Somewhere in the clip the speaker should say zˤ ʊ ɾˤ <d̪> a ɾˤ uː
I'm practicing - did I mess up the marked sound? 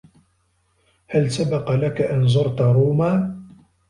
yes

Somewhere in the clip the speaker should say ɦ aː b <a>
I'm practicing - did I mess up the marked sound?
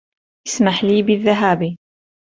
yes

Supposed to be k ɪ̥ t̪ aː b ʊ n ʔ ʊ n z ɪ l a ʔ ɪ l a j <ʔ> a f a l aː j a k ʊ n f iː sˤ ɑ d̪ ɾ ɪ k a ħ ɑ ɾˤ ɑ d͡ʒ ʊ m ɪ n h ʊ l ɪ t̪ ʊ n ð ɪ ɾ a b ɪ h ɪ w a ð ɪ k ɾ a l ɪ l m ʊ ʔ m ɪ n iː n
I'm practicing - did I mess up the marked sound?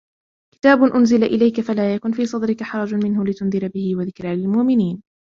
yes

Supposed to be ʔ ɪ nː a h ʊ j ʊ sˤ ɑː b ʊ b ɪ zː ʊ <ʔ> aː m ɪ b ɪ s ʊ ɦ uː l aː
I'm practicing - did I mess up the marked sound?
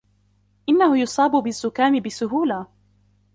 yes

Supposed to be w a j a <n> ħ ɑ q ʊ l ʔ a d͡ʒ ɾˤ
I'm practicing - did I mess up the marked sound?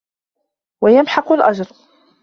yes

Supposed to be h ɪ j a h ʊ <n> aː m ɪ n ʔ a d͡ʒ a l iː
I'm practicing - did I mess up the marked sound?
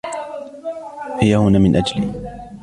no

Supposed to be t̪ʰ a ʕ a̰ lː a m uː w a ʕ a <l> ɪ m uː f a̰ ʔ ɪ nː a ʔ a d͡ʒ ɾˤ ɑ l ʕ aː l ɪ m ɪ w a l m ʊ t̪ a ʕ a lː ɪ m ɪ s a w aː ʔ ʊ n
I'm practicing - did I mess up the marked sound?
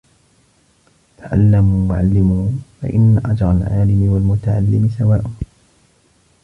yes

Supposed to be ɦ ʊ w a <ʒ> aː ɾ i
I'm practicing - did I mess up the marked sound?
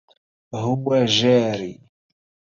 no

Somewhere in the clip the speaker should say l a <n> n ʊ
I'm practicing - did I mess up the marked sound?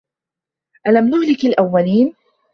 yes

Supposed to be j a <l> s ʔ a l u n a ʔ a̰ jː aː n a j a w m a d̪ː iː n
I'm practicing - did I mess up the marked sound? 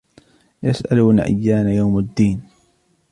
yes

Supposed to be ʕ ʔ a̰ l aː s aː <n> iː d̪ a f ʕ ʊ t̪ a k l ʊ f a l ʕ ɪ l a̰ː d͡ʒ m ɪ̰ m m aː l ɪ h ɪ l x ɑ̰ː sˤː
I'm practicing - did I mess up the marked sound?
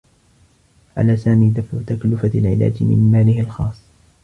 yes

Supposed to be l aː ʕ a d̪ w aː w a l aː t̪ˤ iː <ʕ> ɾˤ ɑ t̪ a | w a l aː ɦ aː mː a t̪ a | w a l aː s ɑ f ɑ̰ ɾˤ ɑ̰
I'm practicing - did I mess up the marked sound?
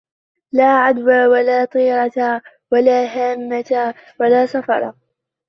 yes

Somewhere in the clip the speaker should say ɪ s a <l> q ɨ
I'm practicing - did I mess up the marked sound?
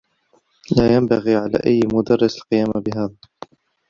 no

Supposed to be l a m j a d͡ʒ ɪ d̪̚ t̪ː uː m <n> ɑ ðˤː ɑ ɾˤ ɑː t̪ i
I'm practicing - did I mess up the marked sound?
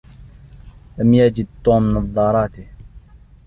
no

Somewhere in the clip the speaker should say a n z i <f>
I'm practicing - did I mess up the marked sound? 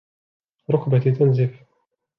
no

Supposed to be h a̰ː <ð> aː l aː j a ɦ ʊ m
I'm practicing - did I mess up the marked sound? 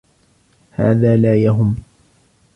no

